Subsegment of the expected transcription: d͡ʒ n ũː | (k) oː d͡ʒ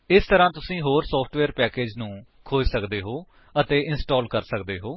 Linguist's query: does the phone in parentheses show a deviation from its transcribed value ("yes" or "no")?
yes